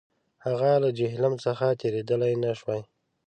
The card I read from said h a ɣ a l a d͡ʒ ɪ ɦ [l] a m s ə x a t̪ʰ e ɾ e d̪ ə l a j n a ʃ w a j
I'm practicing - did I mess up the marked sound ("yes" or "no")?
no